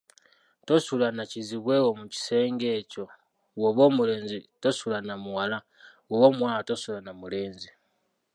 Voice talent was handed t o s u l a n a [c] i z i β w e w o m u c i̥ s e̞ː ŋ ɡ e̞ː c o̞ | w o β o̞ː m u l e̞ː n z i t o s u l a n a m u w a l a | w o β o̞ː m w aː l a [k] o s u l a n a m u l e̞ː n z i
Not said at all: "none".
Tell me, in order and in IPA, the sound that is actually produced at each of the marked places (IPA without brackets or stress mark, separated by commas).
c, t